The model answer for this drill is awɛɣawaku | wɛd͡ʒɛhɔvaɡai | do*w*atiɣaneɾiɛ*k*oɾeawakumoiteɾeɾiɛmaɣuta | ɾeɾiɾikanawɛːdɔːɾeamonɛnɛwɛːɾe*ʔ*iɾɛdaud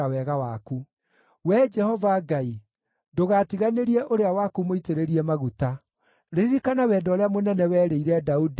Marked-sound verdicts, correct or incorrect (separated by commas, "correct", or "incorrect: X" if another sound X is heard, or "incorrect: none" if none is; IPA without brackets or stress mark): incorrect: ɣ, incorrect: ʔ, incorrect: none